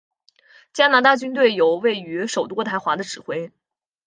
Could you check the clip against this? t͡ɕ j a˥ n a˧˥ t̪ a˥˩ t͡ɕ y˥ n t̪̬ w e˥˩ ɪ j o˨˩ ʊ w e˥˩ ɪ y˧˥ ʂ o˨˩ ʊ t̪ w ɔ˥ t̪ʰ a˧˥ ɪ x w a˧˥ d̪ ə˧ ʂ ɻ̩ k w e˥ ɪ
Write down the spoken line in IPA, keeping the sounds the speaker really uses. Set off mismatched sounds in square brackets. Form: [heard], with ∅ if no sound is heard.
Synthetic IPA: t͡ɕ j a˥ n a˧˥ t̪ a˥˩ t͡ɕ y˥ n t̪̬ w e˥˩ ɪ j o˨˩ ʊ w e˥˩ ɪ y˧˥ ʂ o˨˩ ʊ t̪ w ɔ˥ t̪ʰ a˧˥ ɪ x w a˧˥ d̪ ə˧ [ʈ͡ʂ] ɻ̩ [x] w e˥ ɪ

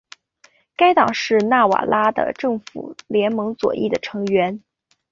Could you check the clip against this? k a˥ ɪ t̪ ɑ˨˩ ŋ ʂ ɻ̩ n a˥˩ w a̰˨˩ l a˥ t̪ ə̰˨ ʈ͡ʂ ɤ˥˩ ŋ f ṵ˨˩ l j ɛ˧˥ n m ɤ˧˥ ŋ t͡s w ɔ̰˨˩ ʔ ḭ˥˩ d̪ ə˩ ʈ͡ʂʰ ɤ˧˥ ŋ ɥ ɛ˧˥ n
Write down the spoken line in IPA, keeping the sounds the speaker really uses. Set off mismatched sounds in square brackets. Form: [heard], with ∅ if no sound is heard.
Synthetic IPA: k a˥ ɪ t̪ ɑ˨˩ ŋ ʂ ɻ̩ n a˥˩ w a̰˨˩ l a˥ [d̪] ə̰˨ ʈ͡ʂ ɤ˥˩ ŋ f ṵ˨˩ l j ɛ˧˥ n m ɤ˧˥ ŋ t͡s w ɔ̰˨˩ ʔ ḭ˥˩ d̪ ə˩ ʈ͡ʂʰ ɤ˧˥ ŋ ɥ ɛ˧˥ n

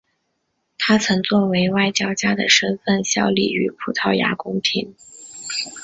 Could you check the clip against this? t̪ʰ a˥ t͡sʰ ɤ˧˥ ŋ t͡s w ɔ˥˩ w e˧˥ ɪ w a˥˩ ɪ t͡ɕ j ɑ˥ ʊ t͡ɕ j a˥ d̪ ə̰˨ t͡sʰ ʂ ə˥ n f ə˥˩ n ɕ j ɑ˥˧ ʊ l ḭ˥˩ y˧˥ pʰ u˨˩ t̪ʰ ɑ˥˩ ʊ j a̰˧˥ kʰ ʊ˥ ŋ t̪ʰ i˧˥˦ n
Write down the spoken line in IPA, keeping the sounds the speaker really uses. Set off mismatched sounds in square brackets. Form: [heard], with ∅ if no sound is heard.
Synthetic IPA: t̪ʰ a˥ t͡sʰ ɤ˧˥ ŋ t͡s w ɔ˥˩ w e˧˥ ɪ w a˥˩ ɪ t͡ɕ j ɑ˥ ʊ t͡ɕ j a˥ d̪ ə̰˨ [∅] ʂ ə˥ n f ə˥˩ n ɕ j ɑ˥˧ ʊ l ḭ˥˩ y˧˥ pʰ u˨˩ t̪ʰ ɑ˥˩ ʊ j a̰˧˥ [k] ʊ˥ ŋ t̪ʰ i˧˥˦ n

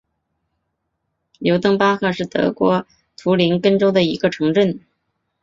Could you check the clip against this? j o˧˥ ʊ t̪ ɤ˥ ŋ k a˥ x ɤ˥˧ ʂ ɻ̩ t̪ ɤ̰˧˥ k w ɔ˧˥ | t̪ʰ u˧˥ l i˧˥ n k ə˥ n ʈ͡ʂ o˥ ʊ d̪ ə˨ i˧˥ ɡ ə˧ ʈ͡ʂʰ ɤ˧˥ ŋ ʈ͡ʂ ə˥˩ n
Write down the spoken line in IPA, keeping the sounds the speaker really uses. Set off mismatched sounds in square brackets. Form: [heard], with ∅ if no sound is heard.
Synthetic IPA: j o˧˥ ʊ t̪ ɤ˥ ŋ [p] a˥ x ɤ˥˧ ʂ ɻ̩ t̪ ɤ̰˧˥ k w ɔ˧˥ | t̪ʰ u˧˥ l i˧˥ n k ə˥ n ʈ͡ʂ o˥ ʊ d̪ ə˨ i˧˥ ɡ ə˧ ʈ͡ʂʰ ɤ˧˥ ŋ ʈ͡ʂ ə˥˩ n

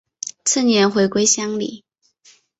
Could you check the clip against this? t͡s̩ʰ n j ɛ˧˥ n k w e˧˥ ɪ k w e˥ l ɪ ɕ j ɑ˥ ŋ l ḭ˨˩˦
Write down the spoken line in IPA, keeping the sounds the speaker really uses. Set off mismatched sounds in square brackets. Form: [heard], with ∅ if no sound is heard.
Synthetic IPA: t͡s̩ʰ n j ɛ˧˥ n [x] w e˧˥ ɪ k w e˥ [∅] ɪ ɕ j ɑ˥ ŋ l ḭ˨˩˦

